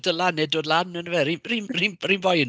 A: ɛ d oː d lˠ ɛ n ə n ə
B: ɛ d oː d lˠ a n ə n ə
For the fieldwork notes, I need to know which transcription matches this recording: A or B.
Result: B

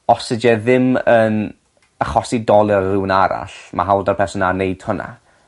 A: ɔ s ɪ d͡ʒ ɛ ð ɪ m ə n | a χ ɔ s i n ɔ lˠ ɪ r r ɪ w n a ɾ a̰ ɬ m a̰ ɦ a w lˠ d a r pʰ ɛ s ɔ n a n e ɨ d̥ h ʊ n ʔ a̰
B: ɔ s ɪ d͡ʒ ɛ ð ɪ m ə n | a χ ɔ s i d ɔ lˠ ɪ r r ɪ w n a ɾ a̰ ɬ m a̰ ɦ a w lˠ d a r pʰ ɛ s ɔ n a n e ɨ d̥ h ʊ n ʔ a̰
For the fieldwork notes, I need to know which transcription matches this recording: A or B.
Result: B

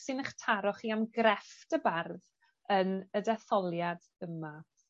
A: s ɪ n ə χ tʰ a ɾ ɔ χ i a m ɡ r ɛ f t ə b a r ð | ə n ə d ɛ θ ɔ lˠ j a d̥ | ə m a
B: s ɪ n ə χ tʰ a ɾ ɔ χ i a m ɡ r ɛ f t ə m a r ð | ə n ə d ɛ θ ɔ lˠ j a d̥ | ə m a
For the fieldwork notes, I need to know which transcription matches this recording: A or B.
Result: A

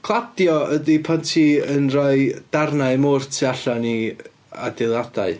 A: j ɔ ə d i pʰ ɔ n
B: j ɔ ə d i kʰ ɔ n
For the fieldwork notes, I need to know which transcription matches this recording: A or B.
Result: A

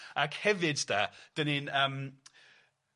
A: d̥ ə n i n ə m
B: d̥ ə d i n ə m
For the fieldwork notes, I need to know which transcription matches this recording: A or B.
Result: A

